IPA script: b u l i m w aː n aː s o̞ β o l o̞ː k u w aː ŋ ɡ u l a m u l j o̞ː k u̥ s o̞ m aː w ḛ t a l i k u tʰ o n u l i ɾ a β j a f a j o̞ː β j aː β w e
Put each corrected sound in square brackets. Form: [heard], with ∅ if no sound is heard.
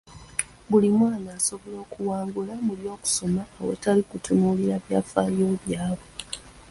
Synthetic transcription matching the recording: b u l i m w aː n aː s o̞ β o l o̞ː k u w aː ŋ ɡ u l a m u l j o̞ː k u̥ s o̞ m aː w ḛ t a l i k u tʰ [u] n u l i ɾ a β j a f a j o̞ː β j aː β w e